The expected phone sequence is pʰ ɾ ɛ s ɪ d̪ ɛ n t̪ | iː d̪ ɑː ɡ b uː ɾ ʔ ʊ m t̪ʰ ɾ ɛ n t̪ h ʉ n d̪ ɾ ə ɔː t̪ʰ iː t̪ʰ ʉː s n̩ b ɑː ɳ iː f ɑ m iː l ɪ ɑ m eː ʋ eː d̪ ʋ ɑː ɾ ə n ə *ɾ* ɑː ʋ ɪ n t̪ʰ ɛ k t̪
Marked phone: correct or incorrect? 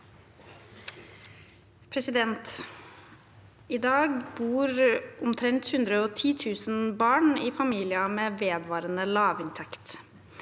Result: incorrect